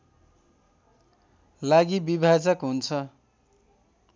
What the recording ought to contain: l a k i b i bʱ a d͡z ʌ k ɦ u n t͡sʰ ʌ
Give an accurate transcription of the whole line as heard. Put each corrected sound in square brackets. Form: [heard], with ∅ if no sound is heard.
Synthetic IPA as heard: l a [ɡ] i b i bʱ a d͡z ʌ k ɦ u n t͡sʰ ʌ